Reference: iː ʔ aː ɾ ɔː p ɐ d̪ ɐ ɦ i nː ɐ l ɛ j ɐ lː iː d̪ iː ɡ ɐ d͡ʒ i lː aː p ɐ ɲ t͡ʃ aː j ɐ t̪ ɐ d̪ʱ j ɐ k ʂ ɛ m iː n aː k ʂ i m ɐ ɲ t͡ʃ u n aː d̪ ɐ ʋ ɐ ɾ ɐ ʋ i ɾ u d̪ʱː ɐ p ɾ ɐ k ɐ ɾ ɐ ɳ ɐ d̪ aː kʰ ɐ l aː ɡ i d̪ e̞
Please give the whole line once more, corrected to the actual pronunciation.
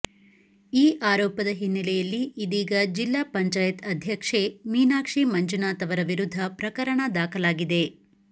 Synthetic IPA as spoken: iː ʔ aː ɾ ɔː p ɐ d̪ ɐ ɦ i nː ɐ l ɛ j ɐ lː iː d̪ iː ɡ ɐ d͡ʒ i lː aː p ɐ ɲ t͡ʃ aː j ɐ t̪ ɐ d̪ʱ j ɐ k ʂ e m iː n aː k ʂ i m ɐ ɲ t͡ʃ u n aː t̪ ɐ ʋ ɐ ɾ ɐ ʋ i ɾ u d̪ʱː ɐ p ɾ ɐ k ɐ ɾ ɐ ɳ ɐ d̪ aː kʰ ɐ l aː ɡ i d̪ e̞